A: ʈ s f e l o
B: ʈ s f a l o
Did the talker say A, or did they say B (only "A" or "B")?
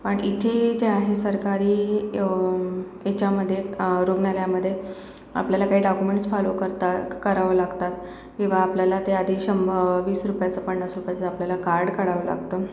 B